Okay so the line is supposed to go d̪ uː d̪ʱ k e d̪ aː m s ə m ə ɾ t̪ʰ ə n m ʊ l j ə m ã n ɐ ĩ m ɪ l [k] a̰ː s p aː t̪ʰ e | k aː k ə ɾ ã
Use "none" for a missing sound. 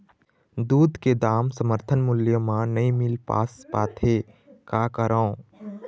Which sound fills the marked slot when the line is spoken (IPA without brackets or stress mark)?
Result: p